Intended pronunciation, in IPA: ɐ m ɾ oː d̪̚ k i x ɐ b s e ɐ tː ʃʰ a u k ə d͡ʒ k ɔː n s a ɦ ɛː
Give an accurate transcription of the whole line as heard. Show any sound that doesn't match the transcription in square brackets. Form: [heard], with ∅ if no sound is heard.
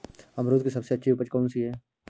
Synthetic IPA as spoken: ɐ m ɾ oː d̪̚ k i [s] ɐ b s e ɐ tː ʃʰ [i] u [p] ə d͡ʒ k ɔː n s [i] ɦ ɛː